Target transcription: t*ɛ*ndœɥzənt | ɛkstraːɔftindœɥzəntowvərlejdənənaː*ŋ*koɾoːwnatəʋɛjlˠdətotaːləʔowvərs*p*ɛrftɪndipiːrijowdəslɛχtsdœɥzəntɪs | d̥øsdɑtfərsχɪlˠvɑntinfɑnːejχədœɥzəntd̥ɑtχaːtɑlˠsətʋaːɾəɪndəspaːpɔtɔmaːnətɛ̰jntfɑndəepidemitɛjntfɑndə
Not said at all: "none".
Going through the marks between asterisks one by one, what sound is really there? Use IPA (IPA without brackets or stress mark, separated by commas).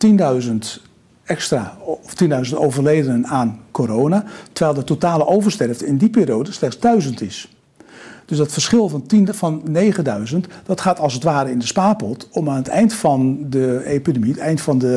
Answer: i, n, t